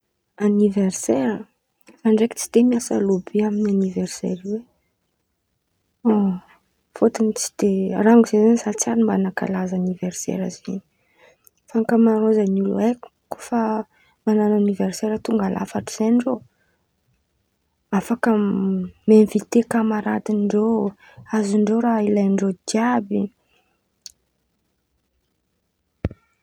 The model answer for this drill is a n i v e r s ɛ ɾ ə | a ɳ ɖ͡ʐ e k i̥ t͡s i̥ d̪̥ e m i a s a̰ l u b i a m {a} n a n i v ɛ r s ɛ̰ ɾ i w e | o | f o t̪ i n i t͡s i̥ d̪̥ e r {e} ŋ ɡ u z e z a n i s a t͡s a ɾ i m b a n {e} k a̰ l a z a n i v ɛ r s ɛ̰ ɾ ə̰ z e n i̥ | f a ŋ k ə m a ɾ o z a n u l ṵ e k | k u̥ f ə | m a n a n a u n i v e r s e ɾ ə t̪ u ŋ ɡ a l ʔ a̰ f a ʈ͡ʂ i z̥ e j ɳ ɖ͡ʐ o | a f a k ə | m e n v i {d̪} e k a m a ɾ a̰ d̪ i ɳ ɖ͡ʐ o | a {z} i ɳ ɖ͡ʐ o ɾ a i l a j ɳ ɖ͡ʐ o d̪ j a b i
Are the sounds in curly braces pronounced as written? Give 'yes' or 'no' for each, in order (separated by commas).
no, no, no, no, yes